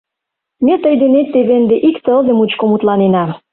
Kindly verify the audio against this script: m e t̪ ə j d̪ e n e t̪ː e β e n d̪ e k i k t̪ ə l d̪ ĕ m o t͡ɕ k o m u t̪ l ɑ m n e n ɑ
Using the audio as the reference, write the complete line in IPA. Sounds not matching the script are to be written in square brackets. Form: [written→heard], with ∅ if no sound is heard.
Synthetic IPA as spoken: m e t̪ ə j d̪ e n e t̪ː e β e n d̪ e [k→ʔ] i k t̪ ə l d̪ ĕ m [o→u] t͡ɕ k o m u t̪ l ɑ [m→∅] n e n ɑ